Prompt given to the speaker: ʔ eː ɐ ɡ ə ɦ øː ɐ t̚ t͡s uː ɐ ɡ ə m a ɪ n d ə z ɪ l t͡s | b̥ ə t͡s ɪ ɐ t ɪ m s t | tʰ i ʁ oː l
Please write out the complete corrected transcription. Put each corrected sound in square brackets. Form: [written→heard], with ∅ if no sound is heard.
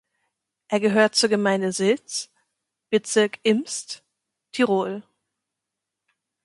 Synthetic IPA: ʔ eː ɐ ɡ ə ɦ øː ɐ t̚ t͡s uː ɐ ɡ ə m a ɪ n d ə z ɪ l t͡s | b̥ ə t͡s ɪ ɐ [t→k] ɪ m s t | tʰ i ʁ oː l